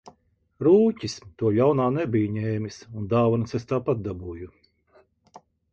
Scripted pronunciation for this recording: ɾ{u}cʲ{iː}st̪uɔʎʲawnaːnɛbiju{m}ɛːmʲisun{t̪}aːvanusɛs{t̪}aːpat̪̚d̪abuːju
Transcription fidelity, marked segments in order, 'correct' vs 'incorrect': incorrect, incorrect, incorrect, incorrect, correct

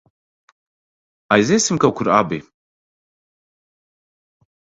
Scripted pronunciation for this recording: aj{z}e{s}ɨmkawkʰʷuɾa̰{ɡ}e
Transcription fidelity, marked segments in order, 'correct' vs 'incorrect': correct, correct, incorrect

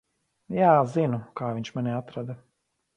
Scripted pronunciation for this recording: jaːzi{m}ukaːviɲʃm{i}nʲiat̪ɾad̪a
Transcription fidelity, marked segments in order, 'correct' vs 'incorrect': incorrect, incorrect

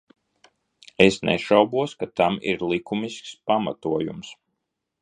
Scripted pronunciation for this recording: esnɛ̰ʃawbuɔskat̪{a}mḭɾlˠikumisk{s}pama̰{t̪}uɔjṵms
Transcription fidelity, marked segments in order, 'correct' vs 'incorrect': correct, correct, correct

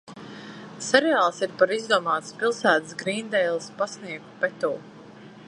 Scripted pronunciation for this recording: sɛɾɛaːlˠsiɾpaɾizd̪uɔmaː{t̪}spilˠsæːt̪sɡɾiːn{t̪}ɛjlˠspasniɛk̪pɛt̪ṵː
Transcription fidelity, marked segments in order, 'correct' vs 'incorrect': correct, incorrect

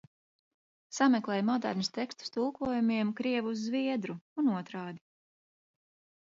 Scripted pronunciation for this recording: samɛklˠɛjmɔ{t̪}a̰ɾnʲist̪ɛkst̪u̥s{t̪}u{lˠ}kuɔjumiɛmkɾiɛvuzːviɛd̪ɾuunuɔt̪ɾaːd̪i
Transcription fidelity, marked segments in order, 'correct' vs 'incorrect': incorrect, correct, correct

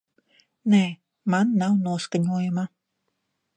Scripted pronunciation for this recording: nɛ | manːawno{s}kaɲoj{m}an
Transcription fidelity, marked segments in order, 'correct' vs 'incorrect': correct, correct

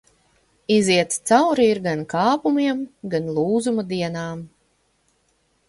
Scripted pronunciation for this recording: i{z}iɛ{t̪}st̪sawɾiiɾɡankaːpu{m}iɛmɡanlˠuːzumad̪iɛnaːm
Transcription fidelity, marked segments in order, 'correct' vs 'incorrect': correct, correct, correct

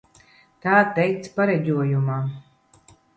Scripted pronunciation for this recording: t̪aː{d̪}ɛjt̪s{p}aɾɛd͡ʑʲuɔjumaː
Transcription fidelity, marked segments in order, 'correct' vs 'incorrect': incorrect, correct

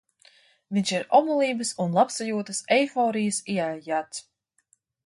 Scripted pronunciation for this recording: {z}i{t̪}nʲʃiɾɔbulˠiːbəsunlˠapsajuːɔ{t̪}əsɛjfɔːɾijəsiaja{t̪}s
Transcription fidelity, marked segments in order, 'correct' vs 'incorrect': incorrect, incorrect, correct, correct

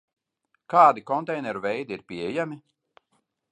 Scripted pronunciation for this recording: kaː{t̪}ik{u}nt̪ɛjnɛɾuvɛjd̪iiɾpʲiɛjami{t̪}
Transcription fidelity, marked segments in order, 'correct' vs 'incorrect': incorrect, incorrect, incorrect

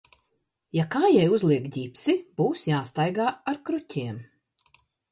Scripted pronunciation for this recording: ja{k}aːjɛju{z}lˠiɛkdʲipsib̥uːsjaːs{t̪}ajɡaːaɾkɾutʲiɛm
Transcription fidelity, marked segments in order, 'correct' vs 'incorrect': correct, correct, correct

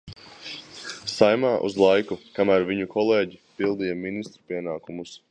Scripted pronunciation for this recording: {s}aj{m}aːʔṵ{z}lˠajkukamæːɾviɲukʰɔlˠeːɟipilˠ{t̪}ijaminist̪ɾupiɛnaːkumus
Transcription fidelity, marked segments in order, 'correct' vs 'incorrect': correct, correct, correct, incorrect

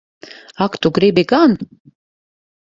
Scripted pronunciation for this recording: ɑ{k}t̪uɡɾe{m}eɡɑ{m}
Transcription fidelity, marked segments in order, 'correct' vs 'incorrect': correct, incorrect, incorrect

